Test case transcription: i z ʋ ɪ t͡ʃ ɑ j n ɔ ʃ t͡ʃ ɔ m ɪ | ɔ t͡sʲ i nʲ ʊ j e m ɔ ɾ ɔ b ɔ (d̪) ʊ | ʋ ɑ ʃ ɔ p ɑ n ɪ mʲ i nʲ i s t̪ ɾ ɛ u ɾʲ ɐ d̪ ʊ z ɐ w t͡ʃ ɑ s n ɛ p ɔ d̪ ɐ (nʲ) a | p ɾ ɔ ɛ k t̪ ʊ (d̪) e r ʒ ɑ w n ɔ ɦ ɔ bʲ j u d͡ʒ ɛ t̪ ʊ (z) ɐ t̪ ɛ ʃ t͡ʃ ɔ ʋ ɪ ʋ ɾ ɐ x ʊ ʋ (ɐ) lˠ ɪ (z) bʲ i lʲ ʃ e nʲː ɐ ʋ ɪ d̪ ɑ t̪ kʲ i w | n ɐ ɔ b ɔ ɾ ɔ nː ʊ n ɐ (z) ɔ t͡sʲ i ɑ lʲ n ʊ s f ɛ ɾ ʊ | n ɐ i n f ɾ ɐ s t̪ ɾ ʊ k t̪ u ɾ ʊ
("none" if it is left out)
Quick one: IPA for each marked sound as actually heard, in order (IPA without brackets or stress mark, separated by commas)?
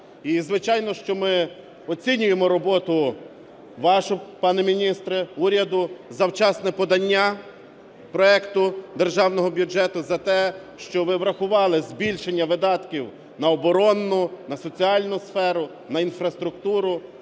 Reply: t̪, nʲː, d̪, z, ɑ, z, s